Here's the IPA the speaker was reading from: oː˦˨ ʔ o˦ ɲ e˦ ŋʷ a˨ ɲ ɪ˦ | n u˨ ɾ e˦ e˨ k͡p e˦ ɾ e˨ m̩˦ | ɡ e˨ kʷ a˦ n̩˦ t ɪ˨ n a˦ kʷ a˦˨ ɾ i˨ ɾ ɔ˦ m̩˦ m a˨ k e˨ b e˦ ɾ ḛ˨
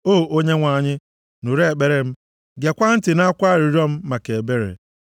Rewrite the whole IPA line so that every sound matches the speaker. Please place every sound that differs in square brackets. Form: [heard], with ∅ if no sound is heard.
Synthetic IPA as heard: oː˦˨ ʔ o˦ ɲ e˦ ŋʷ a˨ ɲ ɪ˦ | n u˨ ɾ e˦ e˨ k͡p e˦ ɾ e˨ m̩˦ | ɡ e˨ kʷ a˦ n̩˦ t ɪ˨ n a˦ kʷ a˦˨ ɾ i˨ ɾ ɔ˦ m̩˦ m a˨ k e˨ b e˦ ɾ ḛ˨

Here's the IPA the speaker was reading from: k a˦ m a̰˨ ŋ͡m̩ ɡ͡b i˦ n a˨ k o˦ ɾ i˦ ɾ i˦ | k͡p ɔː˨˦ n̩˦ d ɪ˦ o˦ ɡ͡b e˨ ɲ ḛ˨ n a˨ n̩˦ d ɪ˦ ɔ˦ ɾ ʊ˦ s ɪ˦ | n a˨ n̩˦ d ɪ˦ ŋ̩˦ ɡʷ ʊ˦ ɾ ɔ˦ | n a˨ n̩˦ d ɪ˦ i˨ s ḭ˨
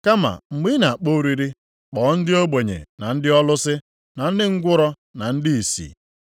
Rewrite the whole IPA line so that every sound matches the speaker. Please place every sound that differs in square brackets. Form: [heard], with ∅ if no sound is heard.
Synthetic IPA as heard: k a˦ m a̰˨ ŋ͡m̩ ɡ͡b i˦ n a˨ [k͡p] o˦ ɾ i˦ ɾ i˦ | k͡p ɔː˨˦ n̩˦ d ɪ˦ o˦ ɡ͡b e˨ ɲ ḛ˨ n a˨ n̩˦ d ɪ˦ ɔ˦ [l] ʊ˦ s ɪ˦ | n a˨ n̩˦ d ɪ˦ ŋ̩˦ ɡʷ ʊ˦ ɾ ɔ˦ | n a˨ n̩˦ d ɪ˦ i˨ s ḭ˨

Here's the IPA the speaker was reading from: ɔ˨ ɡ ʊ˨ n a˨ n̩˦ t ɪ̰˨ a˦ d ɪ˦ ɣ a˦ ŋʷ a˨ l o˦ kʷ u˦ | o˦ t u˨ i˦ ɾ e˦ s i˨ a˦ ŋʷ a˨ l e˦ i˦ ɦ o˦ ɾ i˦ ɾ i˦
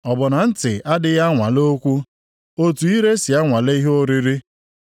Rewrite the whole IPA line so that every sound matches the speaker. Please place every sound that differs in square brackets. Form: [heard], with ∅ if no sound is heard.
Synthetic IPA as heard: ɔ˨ [b] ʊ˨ n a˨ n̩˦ t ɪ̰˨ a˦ d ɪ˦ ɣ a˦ ŋʷ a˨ l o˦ kʷ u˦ | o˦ t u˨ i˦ ɾ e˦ s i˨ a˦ ŋʷ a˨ l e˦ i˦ ɦ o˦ ɾ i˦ ɾ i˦

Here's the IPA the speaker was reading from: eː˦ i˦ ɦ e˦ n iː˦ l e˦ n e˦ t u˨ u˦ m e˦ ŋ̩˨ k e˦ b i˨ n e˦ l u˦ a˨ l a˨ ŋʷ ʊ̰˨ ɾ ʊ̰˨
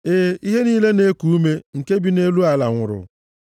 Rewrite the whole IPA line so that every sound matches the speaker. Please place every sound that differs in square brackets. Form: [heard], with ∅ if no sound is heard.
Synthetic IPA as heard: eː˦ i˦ ɦ e˦ n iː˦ l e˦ n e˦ [k] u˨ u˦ m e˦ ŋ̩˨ k e˦ b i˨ n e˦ l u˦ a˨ l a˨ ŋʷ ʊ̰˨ ɾ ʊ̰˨

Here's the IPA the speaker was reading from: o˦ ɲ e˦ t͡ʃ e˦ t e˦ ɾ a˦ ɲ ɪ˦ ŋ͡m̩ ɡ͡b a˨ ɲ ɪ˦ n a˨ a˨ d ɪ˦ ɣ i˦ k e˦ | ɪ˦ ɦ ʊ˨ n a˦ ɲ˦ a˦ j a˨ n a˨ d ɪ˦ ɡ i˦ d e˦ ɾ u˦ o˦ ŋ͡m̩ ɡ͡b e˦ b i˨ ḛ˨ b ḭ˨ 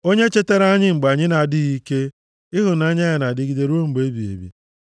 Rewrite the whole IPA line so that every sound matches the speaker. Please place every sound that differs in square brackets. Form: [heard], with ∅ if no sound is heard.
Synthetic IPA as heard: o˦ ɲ e˦ t͡ʃ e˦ t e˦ ɾ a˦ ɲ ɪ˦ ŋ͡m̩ ɡ͡b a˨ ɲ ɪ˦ n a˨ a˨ d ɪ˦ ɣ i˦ k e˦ | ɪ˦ ɦ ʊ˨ n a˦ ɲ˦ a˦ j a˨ n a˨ d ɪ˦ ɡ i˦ d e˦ ɾ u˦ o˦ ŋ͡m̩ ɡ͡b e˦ b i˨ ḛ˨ b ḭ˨

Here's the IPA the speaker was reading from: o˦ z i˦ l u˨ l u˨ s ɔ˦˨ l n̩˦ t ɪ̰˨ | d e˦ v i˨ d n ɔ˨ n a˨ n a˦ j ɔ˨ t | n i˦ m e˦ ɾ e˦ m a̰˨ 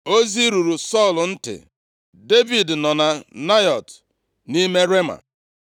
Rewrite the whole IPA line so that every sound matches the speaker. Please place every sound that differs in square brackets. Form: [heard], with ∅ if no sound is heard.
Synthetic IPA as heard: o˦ z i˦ [ɾ] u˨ [ɾ] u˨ s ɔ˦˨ l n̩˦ t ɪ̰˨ | d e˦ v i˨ d n ɔ˨ n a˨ n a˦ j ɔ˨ t | n i˦ m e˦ ɾ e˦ m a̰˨

